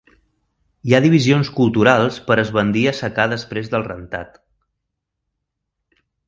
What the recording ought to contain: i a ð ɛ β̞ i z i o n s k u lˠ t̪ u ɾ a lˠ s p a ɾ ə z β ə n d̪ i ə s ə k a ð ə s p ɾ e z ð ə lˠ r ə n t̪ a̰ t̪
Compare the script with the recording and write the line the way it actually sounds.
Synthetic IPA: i a ð i β̞ i z i o n s k u lˠ t̪ u ɾ a lˠ s p ə ɾ ə z β ə n d̪ i ə s ə k a ð ə s p ɾ e z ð ə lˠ r ə n t̪ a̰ t̪

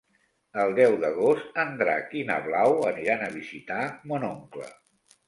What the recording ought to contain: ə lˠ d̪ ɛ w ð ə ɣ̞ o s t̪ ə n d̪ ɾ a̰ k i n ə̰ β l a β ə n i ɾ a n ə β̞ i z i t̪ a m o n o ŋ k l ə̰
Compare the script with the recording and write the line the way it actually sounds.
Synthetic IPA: ə lˠ d̪ ɛ w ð ə ɣ̞ o s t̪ ə n d̪ ɾ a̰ k i n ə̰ β l a w ə n i ɾ a n ə β̞ i z i t̪ a m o n o ŋ k l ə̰

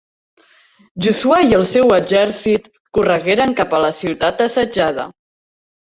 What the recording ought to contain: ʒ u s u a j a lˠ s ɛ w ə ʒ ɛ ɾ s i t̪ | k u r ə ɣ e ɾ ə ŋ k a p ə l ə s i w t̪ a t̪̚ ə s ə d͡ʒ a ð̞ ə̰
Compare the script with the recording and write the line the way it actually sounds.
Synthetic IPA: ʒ u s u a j ə lˠ s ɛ w ə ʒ ɛ ɾ s i t̪ | k u r ə ɣ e ɾ ə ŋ k a p ə l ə s i w t̪ a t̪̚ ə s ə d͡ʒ a ð̞ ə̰

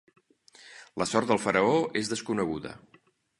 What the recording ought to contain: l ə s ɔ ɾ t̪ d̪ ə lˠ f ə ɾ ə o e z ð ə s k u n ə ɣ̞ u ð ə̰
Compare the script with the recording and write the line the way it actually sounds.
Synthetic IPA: l ə s ɔ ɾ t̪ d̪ ə lˠ f ə ɾ ə o e z ð ə s k u n ə ɣ̞ u ð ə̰

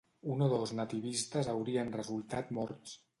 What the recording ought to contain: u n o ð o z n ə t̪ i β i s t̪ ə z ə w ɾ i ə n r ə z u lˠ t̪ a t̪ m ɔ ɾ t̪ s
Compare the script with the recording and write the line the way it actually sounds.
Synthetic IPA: u n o ð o z n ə t̪ i β i s t̪ ə z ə w ɾ i ə n r ə z u lˠ t̪ a t̪ m ɔ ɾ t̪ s

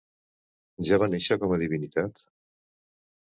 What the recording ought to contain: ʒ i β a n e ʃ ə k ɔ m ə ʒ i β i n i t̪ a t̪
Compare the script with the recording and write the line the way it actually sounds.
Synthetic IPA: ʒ a β a n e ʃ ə k ɔ m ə ð i β i n i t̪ a t̪

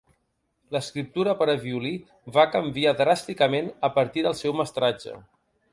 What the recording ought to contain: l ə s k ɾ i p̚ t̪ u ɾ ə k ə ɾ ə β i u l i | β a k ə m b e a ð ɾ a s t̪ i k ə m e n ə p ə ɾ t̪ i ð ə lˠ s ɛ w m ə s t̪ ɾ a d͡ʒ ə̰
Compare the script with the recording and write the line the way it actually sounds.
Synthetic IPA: l ə s k ɾ i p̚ t̪ u ɾ ə p ə ɾ ə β i u l i | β a k ə m b i a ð ɾ a s t̪ i k ə m e n ə p ə ɾ t̪ i ð ə lˠ s ɛ w m ə s t̪ ɾ a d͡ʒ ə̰

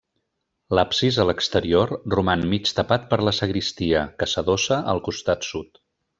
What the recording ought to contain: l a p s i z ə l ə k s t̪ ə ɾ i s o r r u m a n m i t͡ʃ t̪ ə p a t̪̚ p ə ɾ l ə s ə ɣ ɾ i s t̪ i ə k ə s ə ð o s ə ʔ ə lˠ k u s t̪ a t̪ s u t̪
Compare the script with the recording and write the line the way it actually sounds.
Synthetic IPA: l a p s i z ə l ə k s t̪ ə ɾ i o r r u m a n m i t͡ʃ t̪ ə p a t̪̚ p ə ɾ l ə s ə ɣ ɾ i s t̪ i ə k ə s ə ð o s ə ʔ ə lˠ k u s t̪ a t̪ s u t̪

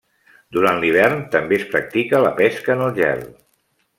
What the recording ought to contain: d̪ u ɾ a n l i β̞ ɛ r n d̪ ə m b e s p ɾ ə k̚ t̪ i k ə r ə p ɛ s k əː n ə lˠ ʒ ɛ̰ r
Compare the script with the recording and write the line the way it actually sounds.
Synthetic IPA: d̪ u ɾ a n l i β̞ ɛ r n t̪ ə m b e s p ɾ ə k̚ t̪ i k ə l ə p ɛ s k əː n ə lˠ ʒ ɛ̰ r

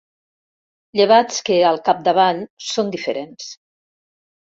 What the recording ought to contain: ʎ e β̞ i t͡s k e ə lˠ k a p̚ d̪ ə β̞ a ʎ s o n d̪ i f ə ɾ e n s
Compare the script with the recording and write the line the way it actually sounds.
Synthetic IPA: ʎ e β̞ a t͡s k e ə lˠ k a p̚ d̪ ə β̞ a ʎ s o n d̪ i f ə ɾ e n s

